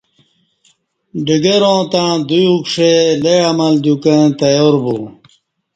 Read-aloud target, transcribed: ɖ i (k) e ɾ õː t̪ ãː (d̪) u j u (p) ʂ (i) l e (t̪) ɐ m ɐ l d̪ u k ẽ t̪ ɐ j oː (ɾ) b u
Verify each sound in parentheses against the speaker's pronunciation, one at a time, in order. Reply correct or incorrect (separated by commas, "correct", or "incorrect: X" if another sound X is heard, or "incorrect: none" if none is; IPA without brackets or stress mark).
incorrect: ɡ, correct, incorrect: k, incorrect: e, incorrect: none, correct